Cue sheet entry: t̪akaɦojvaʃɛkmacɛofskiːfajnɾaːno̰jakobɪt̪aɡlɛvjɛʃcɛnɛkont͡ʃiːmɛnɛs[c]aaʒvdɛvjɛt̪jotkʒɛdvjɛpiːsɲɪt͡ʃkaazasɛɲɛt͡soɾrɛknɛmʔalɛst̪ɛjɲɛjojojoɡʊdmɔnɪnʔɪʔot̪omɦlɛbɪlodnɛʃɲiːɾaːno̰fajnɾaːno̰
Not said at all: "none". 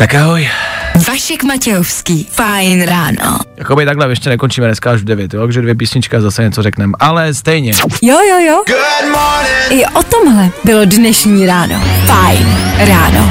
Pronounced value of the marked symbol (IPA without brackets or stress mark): k